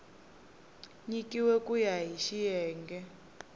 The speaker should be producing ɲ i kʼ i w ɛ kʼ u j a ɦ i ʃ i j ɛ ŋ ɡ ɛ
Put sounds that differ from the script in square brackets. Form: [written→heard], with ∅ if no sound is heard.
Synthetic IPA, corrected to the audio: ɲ i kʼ i w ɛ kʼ u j a ɦ i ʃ i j [ɛ→ɛː] ŋ ɡ ɛ